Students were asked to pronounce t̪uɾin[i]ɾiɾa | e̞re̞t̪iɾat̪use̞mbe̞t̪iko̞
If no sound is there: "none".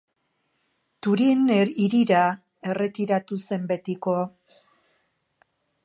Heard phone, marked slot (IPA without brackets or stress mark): i